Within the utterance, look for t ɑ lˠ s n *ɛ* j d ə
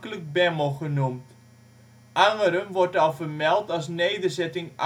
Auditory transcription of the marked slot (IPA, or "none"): e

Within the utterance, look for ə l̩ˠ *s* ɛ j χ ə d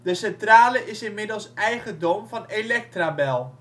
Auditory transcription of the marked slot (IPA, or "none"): s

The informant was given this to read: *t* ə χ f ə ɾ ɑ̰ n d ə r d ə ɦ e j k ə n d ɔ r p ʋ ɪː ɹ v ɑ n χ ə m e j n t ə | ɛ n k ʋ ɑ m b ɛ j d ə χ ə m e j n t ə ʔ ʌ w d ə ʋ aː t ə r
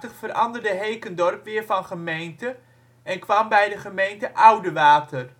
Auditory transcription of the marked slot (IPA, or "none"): t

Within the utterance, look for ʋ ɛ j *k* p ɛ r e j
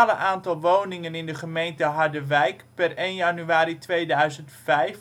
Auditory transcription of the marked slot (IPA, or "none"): k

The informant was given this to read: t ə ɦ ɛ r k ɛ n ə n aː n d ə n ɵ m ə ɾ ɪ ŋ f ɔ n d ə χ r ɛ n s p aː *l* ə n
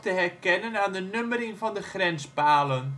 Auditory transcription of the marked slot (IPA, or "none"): l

